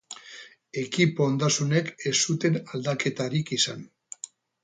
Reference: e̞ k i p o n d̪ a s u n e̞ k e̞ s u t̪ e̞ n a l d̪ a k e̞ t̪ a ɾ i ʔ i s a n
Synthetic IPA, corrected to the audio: e̞ k i p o n d̪ a s u n e̞ k e̞ s u t̪ e̞ n a l d̪ a k e̞ t̪ a ɾ i k i s a n